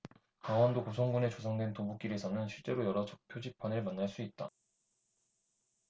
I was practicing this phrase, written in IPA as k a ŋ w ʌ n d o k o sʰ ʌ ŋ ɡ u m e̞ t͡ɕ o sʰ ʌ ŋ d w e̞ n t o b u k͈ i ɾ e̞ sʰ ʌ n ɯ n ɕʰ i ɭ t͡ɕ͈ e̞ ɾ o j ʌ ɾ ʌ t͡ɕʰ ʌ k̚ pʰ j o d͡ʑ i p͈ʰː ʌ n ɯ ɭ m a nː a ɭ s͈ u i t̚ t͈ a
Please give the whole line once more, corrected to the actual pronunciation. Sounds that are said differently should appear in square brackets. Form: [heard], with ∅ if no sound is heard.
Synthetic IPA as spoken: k a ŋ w ʌ n d o k o sʰ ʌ ŋ ɡ u [n] e̞ t͡ɕ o sʰ ʌ ŋ d w e̞ n t o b u k͈ i ɾ e̞ sʰ ʌ n ɯ n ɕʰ i ɭ t͡ɕ͈ e̞ ɾ o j ʌ ɾ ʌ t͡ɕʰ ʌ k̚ pʰ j o d͡ʑ i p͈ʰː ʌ n ɯ ɭ m a nː a ɭ s͈ u i t̚ t͈ a